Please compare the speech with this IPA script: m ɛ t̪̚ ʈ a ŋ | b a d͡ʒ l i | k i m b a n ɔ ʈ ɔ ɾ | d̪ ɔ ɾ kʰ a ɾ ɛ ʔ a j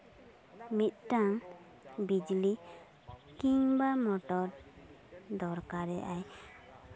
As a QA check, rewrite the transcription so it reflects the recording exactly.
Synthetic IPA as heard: m i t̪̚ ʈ a ŋ | b i d͡ʒ l i | k i ŋ b a m ɔ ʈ ɔ ɾ | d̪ ɔ ɾ k a ɾ ɛ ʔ a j